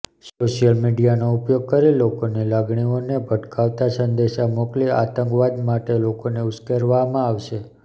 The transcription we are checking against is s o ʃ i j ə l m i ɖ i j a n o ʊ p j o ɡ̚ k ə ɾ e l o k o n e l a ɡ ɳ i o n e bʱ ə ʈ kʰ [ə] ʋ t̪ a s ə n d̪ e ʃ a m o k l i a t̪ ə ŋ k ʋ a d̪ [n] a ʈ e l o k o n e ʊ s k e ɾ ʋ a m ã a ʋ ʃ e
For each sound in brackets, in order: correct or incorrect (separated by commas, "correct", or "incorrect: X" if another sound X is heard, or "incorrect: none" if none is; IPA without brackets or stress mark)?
incorrect: a, incorrect: m